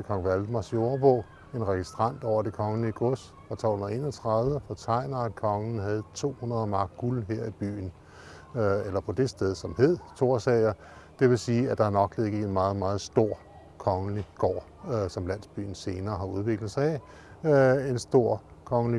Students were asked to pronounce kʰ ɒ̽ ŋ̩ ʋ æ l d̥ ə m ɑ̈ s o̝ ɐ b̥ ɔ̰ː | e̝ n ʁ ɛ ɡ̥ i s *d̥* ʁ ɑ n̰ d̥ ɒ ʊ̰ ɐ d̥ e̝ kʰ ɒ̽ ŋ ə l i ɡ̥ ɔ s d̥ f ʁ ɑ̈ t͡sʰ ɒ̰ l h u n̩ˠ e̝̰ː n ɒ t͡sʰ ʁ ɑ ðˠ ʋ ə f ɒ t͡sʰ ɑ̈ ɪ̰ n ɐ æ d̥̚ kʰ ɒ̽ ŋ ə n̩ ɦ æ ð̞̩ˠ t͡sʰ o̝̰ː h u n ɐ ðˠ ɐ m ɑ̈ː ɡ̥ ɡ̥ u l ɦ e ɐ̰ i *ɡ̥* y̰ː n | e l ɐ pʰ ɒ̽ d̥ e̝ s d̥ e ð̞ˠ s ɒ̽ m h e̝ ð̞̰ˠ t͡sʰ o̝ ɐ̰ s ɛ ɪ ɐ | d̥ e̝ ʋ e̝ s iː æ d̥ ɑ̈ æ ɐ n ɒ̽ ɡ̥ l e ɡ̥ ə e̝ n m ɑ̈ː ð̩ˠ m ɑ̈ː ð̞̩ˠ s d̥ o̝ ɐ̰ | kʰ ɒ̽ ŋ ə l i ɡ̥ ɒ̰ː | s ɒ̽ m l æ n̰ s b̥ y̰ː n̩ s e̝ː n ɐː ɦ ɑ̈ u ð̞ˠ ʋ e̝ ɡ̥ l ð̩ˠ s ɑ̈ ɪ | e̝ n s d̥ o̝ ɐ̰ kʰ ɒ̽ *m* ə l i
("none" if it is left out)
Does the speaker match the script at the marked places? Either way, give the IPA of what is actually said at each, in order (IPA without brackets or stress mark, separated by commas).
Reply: d̥, b̥, ŋ